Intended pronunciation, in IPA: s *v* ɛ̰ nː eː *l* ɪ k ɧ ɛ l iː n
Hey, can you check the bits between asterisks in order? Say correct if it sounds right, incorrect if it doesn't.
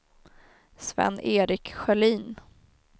correct, incorrect: ɾ

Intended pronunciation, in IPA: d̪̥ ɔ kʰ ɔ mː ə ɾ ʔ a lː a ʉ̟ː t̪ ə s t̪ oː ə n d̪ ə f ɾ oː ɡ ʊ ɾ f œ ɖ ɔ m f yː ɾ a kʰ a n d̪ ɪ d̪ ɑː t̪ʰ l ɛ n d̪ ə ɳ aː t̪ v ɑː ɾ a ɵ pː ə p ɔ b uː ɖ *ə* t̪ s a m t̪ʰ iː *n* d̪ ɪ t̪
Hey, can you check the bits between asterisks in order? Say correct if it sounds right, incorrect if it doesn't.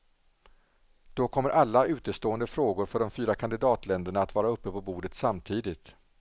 correct, incorrect: none

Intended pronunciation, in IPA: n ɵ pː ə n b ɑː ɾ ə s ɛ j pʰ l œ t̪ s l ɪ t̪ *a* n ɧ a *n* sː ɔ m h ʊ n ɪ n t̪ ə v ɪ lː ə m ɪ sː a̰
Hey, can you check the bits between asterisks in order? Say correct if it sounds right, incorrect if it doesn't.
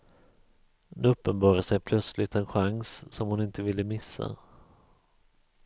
incorrect: ɛ, incorrect: ŋ

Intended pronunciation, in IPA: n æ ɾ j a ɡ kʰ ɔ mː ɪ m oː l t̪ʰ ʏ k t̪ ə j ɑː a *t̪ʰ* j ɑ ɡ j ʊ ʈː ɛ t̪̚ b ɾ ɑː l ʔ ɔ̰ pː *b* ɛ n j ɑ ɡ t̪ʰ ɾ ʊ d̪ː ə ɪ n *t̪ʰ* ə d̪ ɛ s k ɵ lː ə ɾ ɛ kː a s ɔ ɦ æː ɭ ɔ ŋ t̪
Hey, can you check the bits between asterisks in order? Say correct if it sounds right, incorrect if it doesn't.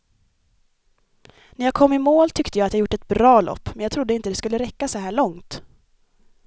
incorrect: t̪, incorrect: m, incorrect: t̪

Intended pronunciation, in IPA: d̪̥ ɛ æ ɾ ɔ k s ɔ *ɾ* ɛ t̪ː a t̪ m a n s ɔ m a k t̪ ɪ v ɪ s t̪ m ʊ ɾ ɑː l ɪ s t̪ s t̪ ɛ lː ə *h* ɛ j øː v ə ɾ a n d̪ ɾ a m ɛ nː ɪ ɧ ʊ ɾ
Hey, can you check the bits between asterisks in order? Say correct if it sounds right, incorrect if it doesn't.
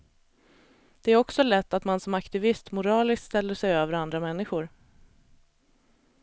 incorrect: l, incorrect: ʂ

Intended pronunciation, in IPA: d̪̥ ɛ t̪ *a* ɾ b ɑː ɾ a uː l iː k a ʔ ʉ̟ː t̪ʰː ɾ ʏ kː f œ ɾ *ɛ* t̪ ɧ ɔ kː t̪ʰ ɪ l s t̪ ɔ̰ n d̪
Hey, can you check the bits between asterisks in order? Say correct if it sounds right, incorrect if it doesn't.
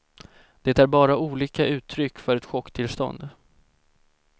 incorrect: æ, correct

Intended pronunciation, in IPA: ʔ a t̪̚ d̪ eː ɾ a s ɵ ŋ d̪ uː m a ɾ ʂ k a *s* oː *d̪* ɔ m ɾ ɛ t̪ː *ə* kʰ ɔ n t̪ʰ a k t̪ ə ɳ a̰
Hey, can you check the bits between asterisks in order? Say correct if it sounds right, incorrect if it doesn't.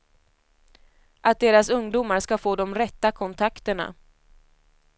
incorrect: f, correct, incorrect: a

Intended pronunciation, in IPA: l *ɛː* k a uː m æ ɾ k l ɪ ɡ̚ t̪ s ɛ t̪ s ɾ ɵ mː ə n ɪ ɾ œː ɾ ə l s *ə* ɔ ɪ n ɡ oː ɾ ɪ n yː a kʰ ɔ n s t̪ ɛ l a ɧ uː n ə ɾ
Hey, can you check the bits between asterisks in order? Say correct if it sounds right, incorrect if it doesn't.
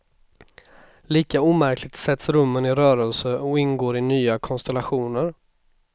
incorrect: iː, correct

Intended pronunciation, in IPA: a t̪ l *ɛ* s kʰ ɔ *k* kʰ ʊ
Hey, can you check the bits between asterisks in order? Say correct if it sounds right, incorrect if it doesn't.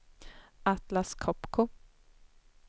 incorrect: a, incorrect: p

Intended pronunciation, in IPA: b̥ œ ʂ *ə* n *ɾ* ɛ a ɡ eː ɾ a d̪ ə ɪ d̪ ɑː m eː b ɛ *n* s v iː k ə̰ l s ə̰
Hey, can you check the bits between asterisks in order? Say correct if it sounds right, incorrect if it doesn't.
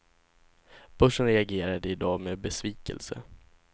correct, correct, incorrect: none

